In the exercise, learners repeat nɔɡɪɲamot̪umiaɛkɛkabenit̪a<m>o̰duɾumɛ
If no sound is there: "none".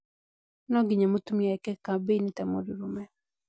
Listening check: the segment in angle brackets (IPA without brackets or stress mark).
m